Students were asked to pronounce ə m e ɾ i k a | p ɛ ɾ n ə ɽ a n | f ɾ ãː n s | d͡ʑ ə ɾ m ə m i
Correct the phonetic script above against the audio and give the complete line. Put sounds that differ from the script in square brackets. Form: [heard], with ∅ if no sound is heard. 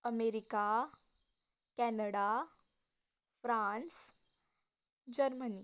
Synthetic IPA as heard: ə m e ɾ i k a | [k] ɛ [∅] n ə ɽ a [∅] | f ɾ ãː n s | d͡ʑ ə ɾ m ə [n] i